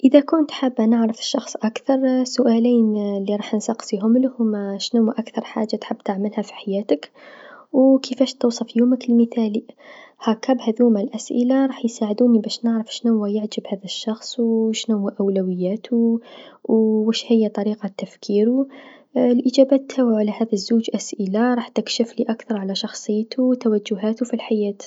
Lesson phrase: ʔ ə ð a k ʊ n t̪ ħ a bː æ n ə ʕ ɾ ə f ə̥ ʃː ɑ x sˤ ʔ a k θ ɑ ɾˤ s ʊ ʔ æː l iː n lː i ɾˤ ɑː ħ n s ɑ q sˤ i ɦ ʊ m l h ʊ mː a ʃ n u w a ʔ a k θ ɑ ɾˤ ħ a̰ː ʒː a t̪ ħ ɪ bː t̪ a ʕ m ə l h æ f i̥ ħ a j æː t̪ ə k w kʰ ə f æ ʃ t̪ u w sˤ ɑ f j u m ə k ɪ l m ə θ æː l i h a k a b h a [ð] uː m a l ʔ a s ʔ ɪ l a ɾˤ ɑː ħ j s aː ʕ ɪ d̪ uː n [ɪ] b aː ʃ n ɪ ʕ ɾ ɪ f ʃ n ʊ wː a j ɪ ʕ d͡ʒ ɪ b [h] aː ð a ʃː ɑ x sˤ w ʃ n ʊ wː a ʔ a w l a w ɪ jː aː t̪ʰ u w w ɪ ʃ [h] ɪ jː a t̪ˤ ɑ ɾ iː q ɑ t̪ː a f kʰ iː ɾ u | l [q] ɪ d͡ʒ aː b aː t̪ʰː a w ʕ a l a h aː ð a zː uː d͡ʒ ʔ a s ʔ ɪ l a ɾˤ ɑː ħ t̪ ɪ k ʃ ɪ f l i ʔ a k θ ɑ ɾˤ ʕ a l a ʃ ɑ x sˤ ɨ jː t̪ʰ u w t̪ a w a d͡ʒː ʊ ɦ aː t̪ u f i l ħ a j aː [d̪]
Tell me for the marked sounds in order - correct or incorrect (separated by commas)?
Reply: correct, incorrect, correct, correct, incorrect, incorrect